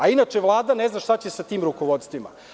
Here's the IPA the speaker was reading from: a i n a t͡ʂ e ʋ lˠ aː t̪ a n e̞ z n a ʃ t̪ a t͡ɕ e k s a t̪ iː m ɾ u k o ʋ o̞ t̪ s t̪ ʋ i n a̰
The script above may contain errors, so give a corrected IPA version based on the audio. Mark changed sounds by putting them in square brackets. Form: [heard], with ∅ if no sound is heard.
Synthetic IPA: a i n a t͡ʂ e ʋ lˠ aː [d̪] a n e̞ z n a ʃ t̪ a t͡ɕ e [∅] s a t̪ iː m ɾ u k o ʋ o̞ t̪ s t̪ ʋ i [m] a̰